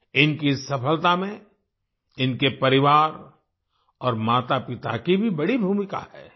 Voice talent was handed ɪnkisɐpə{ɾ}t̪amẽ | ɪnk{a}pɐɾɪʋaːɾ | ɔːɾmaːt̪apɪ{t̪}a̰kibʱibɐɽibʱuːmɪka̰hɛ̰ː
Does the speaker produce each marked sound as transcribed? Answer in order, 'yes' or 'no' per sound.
no, no, yes

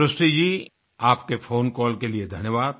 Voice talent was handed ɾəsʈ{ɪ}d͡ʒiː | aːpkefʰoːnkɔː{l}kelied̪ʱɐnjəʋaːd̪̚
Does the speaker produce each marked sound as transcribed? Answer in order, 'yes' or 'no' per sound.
no, yes

